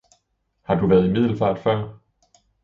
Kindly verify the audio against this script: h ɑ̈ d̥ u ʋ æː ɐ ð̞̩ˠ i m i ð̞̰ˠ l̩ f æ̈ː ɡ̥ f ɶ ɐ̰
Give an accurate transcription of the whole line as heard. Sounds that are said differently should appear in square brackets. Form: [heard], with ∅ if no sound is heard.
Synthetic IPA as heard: h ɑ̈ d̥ u ʋ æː ɐ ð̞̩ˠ i m i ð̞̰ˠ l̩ f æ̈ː [d̥] f ɶ ɐ̰

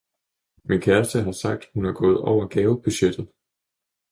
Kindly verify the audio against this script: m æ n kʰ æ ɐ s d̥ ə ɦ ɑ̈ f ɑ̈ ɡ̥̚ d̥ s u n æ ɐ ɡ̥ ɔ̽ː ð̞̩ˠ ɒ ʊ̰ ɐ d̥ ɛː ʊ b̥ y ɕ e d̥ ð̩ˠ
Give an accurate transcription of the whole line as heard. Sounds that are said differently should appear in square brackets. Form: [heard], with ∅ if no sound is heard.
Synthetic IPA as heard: m [i] n kʰ æ ɐ s d̥ ə ɦ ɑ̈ [s] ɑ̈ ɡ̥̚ d̥ [h] u n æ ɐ ɡ̥ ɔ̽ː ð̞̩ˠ ɒ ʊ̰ ɐ [ɡ̥] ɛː ʊ b̥ y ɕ e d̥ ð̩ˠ

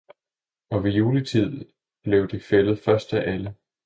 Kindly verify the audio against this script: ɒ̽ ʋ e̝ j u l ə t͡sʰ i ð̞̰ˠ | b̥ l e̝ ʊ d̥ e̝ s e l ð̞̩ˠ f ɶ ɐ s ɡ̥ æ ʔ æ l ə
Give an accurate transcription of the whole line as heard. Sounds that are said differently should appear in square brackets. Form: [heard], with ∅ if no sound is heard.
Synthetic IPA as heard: ɒ̽ ʋ e̝ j [uː] l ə t͡sʰ i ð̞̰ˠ | b̥ l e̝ ʊ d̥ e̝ [f] e l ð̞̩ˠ f ɶ ɐ s [d̥] æ ʔ æ l ə

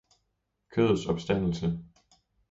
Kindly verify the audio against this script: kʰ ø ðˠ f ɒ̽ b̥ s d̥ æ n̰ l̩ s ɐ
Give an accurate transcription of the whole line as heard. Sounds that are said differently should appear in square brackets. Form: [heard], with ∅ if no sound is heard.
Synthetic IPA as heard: kʰ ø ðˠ [s] ɒ̽ b̥ s d̥ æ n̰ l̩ s [ə]

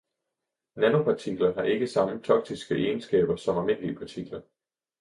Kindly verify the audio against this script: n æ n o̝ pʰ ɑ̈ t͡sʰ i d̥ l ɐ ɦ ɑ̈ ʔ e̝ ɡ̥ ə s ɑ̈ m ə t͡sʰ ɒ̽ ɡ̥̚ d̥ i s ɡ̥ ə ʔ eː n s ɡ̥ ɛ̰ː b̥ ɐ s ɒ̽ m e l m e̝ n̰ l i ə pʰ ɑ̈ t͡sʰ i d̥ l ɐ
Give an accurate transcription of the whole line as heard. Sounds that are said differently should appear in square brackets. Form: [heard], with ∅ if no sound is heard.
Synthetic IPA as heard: n æ n o̝ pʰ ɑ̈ t͡sʰ i [ɡ̥] l ɐ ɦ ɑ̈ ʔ e̝ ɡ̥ ə s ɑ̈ m ə t͡sʰ ɒ̽ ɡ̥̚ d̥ i s ɡ̥ ə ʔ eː n s ɡ̥ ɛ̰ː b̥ ɐ s ɒ̽ m [æ] l m e̝ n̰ l i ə pʰ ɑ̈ t͡sʰ i [ɡ̥] l ɐ

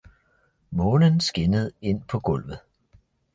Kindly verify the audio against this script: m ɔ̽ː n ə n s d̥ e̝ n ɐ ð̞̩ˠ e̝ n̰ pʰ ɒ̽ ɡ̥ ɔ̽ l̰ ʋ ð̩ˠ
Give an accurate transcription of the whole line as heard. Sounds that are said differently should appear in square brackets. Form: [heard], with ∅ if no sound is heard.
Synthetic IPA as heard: m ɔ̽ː n ə n s [ɡ̥] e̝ n [ə] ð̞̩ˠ e̝ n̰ pʰ ɒ̽ ɡ̥ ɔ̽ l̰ ʋ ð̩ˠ

